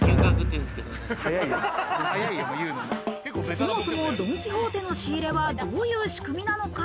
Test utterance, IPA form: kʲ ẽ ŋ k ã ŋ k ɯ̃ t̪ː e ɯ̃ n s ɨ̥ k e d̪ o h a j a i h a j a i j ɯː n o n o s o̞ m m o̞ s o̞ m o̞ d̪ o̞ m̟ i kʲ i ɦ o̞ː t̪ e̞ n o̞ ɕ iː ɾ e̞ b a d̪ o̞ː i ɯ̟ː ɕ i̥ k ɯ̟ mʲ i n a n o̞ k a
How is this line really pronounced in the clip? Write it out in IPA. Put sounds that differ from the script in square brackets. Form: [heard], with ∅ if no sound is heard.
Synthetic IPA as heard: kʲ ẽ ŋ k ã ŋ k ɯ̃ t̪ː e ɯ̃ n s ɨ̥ k e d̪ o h a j a i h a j a i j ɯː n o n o s o̞ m m o̞ s o̞ m o̞ d̪ o̞ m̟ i kʲ i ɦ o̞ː t̪ e̞ n o̞ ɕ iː ɾ e̞ [β] a d̪ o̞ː [j] ɯ̟ː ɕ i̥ k ɯ̟ mʲ i n a n o̞ k a